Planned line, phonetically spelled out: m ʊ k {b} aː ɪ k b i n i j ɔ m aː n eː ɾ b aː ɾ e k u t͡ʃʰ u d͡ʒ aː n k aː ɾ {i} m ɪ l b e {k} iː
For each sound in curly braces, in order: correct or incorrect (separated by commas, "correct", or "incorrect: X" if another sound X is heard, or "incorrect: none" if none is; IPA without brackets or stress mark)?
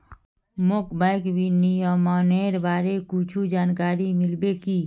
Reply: correct, correct, correct